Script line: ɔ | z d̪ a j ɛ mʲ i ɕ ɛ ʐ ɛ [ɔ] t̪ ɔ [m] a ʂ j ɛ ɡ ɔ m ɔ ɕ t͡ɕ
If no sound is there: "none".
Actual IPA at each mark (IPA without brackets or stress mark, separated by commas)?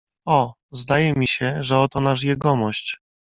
ɔ, n